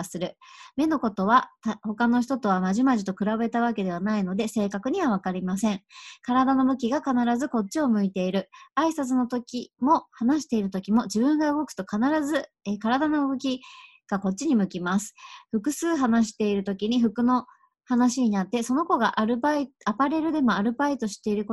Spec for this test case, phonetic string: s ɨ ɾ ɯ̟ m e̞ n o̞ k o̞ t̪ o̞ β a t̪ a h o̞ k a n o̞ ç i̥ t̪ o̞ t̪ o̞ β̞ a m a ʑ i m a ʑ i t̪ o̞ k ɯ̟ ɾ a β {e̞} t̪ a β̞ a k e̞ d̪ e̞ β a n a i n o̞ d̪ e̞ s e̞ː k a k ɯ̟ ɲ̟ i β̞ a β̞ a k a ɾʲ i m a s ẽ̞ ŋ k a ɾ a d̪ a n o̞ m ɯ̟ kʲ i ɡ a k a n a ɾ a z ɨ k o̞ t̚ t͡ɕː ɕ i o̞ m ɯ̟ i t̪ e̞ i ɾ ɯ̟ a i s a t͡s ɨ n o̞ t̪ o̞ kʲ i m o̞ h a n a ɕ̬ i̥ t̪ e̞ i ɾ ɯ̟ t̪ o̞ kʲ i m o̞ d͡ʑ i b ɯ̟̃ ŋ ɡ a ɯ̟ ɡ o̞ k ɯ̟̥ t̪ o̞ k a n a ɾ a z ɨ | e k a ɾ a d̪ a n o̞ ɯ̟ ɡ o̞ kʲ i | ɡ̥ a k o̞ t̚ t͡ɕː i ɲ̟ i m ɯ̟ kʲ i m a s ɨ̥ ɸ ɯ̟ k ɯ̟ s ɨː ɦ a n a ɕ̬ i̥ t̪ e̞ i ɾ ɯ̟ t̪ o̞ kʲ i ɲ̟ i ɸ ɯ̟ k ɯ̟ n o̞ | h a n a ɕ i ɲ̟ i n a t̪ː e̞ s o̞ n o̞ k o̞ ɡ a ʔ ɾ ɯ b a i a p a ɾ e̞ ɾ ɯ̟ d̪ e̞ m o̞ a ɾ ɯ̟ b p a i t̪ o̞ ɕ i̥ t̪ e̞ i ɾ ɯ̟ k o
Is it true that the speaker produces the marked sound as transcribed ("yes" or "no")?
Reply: yes